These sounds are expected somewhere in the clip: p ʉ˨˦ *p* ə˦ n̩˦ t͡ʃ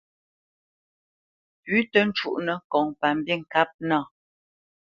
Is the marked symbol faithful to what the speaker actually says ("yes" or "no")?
no